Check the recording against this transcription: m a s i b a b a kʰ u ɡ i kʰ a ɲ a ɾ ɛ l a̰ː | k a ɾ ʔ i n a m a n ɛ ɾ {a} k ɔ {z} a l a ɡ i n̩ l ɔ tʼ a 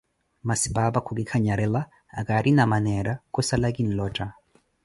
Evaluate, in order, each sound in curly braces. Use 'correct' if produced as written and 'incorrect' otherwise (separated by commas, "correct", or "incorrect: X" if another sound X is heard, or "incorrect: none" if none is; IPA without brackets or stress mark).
correct, incorrect: s